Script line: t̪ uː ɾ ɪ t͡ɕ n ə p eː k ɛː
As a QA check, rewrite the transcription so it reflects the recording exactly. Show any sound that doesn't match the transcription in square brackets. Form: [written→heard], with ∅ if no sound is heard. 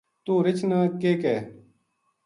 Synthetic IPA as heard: t̪ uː ɾ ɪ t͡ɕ n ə [p→k] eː k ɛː